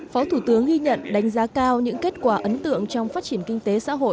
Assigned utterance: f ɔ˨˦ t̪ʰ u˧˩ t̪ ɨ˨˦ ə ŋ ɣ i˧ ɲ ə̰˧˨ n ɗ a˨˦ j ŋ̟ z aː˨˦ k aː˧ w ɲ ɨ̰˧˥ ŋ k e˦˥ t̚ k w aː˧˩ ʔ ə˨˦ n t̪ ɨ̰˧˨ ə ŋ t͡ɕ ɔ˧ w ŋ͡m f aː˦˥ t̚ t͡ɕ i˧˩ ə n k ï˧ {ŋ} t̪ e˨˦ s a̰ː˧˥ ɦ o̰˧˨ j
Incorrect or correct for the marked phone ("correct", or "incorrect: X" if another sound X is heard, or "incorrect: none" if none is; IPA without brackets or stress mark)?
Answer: correct